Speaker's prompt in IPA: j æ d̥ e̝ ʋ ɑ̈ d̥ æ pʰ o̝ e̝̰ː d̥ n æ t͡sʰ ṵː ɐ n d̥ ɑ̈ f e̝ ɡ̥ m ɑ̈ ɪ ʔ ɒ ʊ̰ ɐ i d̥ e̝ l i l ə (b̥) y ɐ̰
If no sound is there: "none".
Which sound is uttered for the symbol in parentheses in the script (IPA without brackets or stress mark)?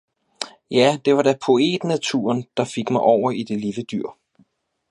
d̥